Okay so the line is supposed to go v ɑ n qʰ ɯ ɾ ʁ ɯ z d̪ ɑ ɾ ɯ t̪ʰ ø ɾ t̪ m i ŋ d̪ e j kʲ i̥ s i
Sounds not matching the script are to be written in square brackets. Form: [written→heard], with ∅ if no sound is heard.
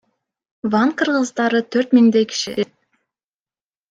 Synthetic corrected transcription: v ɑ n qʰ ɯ ɾ ʁ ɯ z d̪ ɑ ɾ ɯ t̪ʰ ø ɾ t̪ m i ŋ d̪ e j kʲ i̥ [s→ʃ] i